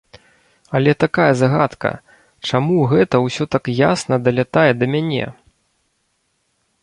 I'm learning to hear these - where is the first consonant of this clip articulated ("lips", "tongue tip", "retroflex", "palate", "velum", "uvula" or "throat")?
tongue tip